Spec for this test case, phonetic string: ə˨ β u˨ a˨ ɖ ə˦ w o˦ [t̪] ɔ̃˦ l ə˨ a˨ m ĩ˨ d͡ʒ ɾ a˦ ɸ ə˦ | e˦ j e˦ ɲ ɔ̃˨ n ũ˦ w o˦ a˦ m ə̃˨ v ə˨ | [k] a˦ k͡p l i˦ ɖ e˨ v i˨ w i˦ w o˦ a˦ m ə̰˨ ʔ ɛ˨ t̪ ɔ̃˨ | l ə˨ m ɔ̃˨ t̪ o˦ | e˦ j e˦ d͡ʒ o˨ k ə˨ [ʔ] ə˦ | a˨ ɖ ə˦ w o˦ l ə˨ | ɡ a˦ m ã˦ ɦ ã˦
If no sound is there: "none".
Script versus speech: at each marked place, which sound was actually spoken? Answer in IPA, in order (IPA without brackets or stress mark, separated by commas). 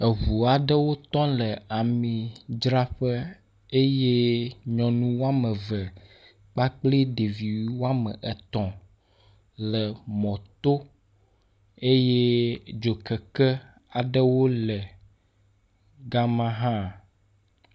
t̪, k͡p, k